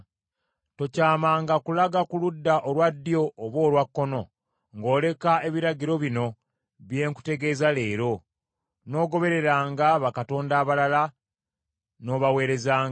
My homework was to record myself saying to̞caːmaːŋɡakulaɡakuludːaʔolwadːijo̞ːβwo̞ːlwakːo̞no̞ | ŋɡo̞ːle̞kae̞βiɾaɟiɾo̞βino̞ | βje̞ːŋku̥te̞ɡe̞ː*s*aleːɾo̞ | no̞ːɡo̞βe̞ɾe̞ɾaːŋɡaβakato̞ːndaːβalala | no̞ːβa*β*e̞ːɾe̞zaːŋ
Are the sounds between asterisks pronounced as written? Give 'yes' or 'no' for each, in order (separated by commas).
no, no